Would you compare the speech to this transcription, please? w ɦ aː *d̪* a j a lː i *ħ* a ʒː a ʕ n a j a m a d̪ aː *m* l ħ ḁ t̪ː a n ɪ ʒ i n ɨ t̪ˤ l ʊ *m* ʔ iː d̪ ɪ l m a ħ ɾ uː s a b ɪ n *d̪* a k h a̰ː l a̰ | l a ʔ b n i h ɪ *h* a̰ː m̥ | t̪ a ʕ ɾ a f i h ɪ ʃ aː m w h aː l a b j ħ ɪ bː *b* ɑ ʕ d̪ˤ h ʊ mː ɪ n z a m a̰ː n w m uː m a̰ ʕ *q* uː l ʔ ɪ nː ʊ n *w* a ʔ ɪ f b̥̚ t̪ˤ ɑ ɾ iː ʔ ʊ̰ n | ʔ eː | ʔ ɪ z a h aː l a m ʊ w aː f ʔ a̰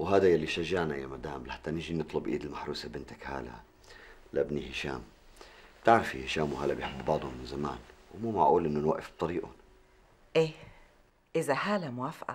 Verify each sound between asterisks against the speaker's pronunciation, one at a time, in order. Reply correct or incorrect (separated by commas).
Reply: correct, incorrect, correct, incorrect, incorrect, incorrect, correct, incorrect, correct